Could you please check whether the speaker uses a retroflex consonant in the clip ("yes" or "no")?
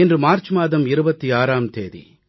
no